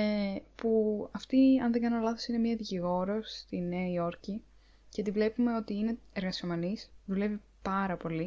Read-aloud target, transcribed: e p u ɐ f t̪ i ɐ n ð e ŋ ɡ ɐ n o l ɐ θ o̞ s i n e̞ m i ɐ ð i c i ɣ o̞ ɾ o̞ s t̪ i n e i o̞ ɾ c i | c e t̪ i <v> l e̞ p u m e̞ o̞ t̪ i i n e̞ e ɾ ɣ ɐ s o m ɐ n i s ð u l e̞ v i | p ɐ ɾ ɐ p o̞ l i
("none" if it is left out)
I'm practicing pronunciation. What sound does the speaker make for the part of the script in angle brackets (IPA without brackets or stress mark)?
v